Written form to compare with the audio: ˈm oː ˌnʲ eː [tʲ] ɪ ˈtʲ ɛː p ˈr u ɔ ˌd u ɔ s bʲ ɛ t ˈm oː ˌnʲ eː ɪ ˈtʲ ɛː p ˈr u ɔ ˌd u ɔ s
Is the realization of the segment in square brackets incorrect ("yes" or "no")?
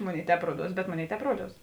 yes